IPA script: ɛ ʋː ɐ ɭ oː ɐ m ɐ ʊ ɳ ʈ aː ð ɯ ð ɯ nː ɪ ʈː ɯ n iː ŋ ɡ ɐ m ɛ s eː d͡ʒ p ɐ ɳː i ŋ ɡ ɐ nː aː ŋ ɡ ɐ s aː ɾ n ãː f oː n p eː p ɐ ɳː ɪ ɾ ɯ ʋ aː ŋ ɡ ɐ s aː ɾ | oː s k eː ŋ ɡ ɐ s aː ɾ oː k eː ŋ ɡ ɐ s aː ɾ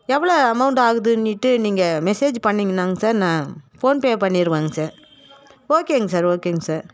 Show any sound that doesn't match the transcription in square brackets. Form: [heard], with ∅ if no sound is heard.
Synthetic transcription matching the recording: ɛ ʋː ɐ ɭ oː ɐ m ɐ ʊ ɳ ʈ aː [ɣ] ɯ ð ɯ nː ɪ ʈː ɯ n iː ŋ ɡ ɐ m ɛ s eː d͡ʒ p ɐ ɳː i ŋ ɡ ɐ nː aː ŋ ɡ ɐ s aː ɾ n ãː f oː n p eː p ɐ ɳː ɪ ɾ ɯ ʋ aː ŋ ɡ ɐ s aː ɾ | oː [∅] k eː ŋ ɡ ɐ s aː ɾ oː k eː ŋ ɡ ɐ s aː ɾ